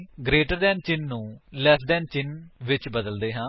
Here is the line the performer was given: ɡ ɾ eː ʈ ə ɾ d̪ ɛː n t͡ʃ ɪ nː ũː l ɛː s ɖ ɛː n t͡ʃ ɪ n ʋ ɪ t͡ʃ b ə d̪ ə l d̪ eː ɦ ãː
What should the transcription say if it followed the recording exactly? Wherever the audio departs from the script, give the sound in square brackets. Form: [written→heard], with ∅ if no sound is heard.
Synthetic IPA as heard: ɡ ɾ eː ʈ ə ɾ d̪ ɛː n t͡ʃ ɪ nː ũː l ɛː s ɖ ɛː n t͡ʃ ɪ n ʋ ɪ t͡ʃ b ə d̪ ə l d̪ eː ɦ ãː

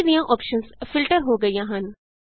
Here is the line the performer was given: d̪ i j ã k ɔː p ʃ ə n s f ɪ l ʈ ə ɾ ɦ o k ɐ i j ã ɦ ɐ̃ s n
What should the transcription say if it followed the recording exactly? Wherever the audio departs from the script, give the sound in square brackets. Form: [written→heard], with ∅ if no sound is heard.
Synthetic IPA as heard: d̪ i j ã [k→ʔ] ɔː p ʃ ə n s f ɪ l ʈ ə ɾ ɦ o [k→ɡ] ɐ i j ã ɦ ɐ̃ [s→∅] n

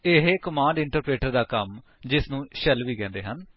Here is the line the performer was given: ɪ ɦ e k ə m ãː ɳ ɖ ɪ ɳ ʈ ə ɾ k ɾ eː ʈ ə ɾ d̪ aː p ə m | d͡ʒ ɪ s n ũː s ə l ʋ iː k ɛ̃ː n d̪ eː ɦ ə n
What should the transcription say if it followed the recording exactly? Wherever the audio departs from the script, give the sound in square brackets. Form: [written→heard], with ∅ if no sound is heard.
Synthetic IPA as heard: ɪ ɦ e k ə m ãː ɳ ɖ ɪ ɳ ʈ ə ɾ [k→p] ɾ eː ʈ ə ɾ d̪ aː [p→k] ə m | d͡ʒ ɪ s n ũː [s→ʃ] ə l ʋ iː k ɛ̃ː n d̪ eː ɦ ə n

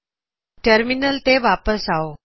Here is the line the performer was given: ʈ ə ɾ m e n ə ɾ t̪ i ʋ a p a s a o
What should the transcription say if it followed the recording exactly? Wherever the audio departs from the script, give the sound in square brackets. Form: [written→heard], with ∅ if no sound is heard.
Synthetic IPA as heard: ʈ ə ɾ m [e→i] n ə [ɾ→l] t̪ [i→e] ʋ a p [a→ə] s a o

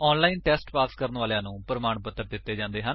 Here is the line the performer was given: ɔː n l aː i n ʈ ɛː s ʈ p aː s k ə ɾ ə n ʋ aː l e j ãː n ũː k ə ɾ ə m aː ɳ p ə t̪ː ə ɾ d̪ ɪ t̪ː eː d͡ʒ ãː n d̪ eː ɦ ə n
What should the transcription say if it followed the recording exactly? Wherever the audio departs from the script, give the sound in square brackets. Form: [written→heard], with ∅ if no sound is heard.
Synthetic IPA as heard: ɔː n l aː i n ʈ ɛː s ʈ p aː s k ə ɾ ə n ʋ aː l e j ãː n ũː [k→p] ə ɾ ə m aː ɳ p ə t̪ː ə ɾ d̪ ɪ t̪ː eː d͡ʒ ãː n d̪ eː ɦ ə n

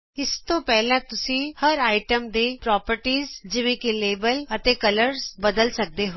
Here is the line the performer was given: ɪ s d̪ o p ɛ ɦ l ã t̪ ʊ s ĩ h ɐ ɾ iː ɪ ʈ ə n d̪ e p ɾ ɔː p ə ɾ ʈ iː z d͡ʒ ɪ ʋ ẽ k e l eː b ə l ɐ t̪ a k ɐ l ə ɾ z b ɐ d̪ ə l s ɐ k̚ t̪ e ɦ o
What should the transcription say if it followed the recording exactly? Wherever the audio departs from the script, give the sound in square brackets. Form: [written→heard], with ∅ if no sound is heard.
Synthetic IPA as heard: ɪ s [d̪→t̪] o p ɛ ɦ l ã t̪ ʊ s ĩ h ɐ ɾ [iː→aː] ɪ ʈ ə [n→m] d̪ e p ɾ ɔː p ə ɾ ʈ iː z d͡ʒ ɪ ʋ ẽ k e l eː b ə l ɐ t̪ [a→e] k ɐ l ə ɾ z b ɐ d̪ ə l s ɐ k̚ [t̪→d̪] e ɦ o

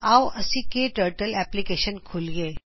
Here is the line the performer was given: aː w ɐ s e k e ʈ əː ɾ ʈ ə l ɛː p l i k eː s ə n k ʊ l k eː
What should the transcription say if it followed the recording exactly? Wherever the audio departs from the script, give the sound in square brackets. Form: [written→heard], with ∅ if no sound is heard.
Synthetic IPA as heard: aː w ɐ s [e→i] k e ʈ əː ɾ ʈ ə l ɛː p l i k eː [s→ʃ] ə n [k→kʰ] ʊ l [k→ɡ] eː

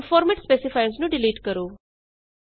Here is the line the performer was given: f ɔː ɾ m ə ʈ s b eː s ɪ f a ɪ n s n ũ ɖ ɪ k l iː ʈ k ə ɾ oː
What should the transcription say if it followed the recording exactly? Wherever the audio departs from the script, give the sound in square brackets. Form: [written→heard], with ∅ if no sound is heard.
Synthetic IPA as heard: f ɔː ɾ m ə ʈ s [b→p] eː s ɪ f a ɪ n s n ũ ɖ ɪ [k→∅] l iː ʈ k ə ɾ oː

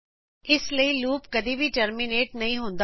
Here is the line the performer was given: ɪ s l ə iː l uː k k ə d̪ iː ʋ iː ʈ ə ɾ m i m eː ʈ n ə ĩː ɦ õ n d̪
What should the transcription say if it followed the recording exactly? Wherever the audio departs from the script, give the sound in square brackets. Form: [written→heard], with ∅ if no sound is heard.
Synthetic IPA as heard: ɪ s l ə iː l uː [k→p] k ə d̪ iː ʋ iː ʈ ə ɾ m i [m→n] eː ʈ n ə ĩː ɦ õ n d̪

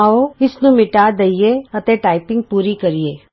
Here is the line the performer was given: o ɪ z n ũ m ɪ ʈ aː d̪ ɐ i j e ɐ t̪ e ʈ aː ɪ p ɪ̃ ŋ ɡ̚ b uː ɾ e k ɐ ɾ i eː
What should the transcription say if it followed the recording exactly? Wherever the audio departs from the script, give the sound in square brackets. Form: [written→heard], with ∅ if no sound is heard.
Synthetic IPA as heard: o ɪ [z→s] n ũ m ɪ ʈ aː d̪ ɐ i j e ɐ t̪ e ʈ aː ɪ p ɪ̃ ŋ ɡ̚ [b→p] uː ɾ [e→i] k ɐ ɾ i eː

